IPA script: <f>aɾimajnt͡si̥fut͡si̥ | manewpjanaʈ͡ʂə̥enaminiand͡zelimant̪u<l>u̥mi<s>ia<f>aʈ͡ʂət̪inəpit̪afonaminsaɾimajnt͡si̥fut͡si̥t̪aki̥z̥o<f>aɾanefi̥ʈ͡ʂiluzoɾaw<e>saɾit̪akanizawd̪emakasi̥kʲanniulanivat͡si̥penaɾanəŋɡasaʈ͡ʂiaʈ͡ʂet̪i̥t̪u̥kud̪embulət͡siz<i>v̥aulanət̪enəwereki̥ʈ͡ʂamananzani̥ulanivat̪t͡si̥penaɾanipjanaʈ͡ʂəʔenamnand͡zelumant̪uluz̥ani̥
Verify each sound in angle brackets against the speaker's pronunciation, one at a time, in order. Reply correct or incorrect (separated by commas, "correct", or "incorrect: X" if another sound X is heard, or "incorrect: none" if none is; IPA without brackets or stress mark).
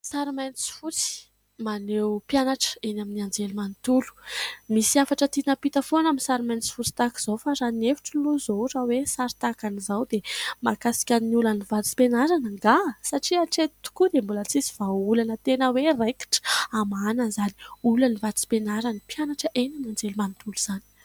incorrect: s, correct, correct, correct, correct, correct, correct